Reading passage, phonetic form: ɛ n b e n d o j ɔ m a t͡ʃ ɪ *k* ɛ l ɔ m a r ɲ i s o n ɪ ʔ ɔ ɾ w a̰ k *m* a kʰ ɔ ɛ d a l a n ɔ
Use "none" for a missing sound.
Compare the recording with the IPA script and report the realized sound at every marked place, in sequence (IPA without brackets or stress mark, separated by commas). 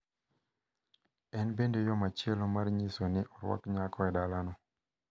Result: none, ɲ